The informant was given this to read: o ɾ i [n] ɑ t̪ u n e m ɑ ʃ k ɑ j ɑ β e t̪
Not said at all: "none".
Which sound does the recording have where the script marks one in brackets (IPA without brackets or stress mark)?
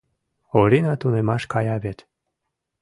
n